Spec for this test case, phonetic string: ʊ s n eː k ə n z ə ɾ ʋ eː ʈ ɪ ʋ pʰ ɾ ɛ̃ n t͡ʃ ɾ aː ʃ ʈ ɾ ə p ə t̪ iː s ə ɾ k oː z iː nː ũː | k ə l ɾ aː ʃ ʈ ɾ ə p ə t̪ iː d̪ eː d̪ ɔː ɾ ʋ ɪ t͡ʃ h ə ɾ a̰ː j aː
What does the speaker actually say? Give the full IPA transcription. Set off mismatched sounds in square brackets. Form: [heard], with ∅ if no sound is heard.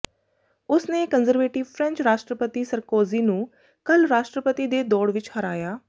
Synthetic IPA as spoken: ʊ s n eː k ə n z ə ɾ ʋ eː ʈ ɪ ʋ pʰ ɾ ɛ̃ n t͡ʃ ɾ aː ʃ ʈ ɾ ə p ə t̪ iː s ə ɾ k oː z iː [n] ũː | k ə l ɾ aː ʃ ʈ ɾ ə p ə t̪ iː d̪ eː d̪ ɔː [ɽ] ʋ ɪ t͡ʃ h ə ɾ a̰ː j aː